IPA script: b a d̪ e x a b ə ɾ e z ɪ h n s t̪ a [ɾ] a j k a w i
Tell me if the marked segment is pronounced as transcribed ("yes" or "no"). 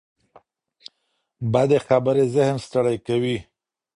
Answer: no